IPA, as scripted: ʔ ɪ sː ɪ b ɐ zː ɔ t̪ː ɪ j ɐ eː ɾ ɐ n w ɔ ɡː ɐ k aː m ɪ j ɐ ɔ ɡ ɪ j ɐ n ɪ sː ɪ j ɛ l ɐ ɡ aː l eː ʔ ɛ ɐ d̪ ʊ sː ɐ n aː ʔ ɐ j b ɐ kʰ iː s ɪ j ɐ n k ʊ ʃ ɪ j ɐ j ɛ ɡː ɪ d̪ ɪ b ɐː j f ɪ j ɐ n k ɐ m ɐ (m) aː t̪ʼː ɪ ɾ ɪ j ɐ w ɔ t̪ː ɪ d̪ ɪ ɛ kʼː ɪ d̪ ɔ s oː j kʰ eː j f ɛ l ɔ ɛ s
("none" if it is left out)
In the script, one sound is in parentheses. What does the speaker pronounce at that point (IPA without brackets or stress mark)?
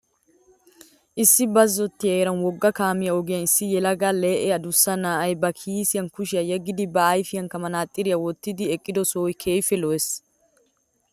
n